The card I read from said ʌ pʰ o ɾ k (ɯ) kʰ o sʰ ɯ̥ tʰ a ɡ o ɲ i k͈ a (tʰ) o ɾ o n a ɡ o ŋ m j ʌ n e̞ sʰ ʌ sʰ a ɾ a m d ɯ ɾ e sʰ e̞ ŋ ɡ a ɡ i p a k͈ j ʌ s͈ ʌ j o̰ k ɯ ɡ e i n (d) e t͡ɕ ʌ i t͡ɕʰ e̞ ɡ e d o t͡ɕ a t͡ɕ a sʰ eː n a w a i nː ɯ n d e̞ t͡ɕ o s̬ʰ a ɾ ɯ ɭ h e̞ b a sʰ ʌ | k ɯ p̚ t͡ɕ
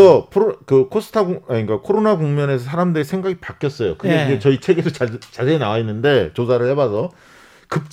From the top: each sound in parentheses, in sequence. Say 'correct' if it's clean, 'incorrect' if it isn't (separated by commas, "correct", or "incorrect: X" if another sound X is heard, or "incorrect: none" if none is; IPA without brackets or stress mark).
correct, incorrect: kʰ, incorrect: d͡ʑ